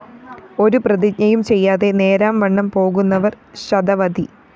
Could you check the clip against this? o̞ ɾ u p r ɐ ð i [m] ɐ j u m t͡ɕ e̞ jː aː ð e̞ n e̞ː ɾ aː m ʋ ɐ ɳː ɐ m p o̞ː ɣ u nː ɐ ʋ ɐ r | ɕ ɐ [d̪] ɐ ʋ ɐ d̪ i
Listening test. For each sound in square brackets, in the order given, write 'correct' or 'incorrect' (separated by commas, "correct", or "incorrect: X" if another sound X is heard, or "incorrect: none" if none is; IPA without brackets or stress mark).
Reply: incorrect: ɲ, correct